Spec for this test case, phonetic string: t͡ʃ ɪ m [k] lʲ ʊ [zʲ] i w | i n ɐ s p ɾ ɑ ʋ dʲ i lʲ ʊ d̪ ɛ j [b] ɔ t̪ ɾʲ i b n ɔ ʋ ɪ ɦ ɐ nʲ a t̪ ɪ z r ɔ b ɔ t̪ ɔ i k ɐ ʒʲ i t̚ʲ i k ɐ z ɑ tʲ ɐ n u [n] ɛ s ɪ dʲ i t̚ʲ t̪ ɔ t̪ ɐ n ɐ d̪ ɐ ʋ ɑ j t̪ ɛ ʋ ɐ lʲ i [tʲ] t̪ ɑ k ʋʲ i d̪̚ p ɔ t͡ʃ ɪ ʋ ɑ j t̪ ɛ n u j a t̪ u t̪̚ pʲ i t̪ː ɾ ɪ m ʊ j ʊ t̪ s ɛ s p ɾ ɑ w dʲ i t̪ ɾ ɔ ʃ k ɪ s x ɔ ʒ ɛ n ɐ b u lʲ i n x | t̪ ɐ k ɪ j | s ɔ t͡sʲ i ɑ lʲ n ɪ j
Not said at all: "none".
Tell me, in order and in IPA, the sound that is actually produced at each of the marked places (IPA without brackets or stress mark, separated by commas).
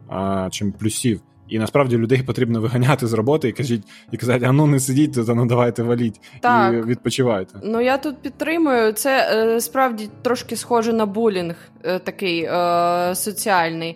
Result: p, sʲ, p, n, tʲ